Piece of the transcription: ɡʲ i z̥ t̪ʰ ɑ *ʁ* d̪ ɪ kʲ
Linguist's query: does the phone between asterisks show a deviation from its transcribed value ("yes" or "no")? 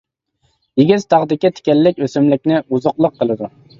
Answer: no